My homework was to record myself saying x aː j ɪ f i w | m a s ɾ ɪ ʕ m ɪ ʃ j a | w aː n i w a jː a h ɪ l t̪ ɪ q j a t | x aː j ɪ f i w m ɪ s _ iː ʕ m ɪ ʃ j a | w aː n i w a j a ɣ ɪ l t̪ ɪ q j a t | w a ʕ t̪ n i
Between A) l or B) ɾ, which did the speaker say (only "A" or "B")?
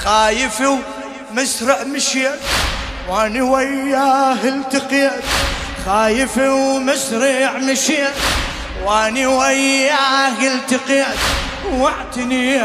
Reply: B